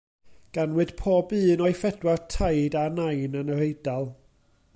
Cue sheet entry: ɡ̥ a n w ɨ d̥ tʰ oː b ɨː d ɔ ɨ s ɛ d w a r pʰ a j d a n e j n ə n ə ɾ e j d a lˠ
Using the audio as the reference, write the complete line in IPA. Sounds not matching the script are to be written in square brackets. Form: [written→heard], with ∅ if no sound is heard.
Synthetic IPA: ɡ̥ a n w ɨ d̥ [tʰ→pʰ] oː b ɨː [d→n] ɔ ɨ [s→f] ɛ d w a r [pʰ→tʰ] a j d a n [e→a] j n ə n ə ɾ e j d a lˠ